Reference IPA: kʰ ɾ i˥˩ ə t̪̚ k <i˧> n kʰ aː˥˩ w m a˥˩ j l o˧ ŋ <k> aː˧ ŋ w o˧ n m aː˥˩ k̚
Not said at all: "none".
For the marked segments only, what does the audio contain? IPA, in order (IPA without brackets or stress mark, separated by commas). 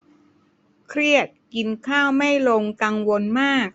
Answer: i˧, k